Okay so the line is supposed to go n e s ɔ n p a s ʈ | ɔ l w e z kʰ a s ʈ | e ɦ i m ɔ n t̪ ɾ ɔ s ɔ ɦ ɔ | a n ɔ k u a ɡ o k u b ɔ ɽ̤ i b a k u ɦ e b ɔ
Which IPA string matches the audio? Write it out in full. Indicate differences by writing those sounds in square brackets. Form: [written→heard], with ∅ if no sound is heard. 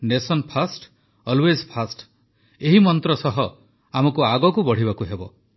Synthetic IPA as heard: n e s ɔ n [p→pʰ] a s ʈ | ɔ l w e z [kʰ→pʰ] a s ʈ | e ɦ i m ɔ n t̪ ɾ ɔ s ɔ ɦ ɔ | a [n→m] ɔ k u a ɡ [o→ɔ] k u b ɔ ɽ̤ i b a k u ɦ e b ɔ